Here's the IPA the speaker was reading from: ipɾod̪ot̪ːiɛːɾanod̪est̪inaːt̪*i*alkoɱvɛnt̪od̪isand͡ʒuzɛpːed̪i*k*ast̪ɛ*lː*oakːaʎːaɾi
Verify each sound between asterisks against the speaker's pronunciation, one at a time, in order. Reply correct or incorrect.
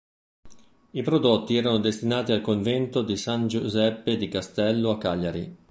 correct, correct, correct

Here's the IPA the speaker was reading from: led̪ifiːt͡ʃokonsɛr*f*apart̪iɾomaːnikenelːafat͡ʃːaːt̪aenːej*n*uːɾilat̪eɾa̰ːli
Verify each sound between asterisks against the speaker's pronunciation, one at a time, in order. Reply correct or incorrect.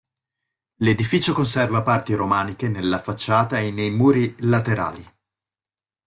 incorrect: v, incorrect: m

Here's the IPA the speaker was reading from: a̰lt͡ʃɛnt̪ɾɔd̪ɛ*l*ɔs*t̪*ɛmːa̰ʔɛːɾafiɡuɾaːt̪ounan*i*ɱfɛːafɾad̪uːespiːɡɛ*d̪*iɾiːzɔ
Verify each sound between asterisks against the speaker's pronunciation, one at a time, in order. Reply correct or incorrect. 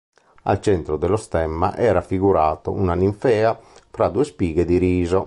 correct, correct, correct, correct

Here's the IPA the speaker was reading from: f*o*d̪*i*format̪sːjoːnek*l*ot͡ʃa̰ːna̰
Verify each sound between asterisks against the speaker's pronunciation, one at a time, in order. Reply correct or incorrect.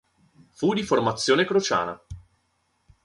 incorrect: u, correct, incorrect: ɾ

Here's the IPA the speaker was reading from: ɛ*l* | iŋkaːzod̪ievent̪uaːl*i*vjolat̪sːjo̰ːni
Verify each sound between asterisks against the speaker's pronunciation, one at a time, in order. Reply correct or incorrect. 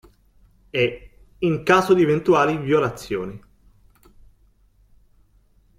incorrect: none, correct

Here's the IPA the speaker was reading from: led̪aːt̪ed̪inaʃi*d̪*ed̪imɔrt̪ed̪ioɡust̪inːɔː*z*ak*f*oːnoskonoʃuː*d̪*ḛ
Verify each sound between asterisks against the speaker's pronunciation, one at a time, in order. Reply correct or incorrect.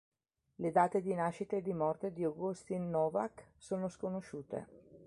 incorrect: t̪, incorrect: v, incorrect: s, incorrect: t̪

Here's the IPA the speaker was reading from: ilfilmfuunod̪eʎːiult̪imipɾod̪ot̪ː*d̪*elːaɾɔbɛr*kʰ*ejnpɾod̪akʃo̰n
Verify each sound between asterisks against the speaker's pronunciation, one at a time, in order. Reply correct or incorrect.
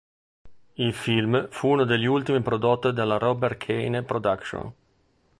correct, correct

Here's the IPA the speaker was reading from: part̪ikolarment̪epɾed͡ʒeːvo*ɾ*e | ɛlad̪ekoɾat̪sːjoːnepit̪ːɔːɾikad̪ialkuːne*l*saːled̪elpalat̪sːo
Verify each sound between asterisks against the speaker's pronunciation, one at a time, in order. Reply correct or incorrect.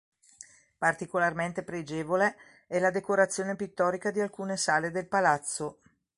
incorrect: l, incorrect: none

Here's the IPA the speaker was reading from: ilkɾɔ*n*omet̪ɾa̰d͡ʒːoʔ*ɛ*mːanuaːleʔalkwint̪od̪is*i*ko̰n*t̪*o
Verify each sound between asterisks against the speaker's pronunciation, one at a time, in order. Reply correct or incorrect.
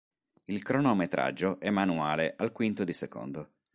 correct, correct, incorrect: e, incorrect: d̪

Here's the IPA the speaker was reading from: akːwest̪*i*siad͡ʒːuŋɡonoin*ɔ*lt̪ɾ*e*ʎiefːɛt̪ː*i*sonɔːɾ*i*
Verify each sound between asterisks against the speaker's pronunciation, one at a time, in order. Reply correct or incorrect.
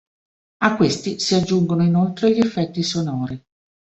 correct, incorrect: o, correct, correct, correct

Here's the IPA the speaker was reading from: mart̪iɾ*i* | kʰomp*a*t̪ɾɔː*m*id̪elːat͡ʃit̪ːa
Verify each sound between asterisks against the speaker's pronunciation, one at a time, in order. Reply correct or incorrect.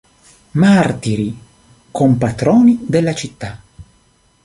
correct, correct, incorrect: n

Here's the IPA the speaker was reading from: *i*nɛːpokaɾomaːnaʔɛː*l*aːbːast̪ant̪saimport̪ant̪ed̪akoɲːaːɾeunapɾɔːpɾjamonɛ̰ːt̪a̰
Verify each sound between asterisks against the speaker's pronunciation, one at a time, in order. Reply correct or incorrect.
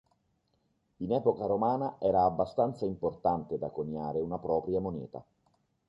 correct, incorrect: ɾ

